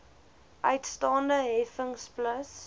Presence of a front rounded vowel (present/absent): present